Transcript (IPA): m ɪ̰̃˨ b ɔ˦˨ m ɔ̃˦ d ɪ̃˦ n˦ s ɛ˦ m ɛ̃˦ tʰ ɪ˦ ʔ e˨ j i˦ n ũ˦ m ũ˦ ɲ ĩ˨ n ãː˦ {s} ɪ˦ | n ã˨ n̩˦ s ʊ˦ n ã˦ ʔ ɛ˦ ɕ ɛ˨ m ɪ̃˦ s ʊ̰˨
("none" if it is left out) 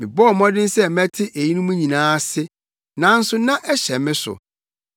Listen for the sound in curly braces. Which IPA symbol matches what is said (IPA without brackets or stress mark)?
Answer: s